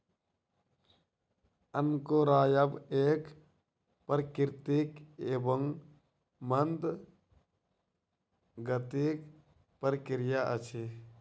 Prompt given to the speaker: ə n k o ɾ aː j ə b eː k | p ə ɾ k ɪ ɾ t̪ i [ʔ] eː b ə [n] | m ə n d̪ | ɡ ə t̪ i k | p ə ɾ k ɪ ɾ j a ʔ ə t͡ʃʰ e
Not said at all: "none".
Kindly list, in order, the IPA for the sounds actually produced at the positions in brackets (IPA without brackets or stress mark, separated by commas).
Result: k, ŋ